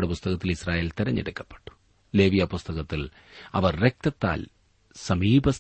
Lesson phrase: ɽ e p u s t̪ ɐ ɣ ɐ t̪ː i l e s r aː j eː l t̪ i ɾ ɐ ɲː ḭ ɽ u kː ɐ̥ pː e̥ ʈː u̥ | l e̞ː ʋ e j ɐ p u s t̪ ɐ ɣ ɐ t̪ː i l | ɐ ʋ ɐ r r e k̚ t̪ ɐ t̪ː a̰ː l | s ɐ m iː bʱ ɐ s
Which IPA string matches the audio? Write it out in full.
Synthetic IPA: ɽ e p u s t̪ ɐ ɣ ɐ t̪ː i l i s r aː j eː l t̪ i ɾ ɐ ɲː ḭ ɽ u kː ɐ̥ pː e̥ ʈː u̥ | l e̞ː ʋ i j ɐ p u s t̪ ɐ ɣ ɐ t̪ː i l | ɐ ʋ ɐ r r e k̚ t̪ ɐ t̪ː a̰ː l | s ɐ m iː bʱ ɐ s